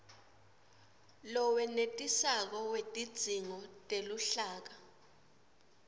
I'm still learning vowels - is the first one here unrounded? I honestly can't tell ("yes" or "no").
no